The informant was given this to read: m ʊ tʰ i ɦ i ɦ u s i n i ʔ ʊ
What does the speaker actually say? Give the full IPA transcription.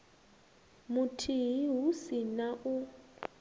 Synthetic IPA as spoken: m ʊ tʰ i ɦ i ɦ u s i n a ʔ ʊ